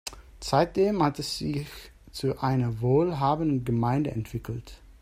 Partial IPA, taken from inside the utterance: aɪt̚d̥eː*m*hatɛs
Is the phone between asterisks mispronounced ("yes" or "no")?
no